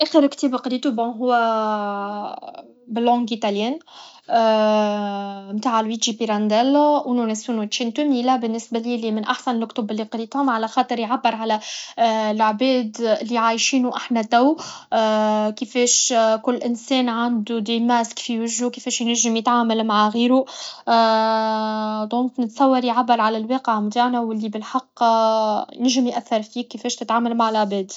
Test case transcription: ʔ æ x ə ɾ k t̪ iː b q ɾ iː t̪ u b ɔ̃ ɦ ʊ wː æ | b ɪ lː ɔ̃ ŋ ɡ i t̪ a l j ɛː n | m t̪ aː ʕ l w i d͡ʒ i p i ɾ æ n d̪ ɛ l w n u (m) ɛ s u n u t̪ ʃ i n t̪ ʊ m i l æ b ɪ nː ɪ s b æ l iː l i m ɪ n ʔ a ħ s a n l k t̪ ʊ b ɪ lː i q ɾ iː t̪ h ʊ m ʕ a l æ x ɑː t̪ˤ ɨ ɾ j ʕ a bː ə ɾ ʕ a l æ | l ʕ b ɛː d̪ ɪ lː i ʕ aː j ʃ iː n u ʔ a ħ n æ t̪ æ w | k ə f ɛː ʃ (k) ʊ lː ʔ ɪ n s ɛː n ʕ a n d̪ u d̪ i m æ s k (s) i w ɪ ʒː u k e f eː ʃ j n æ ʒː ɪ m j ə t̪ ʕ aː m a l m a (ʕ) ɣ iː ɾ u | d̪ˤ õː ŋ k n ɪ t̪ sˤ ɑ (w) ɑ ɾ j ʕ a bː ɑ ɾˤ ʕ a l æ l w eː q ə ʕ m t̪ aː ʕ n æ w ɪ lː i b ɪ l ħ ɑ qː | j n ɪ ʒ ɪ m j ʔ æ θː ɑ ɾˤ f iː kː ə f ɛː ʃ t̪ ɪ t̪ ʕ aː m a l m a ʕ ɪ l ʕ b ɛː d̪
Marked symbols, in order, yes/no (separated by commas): no, yes, no, yes, no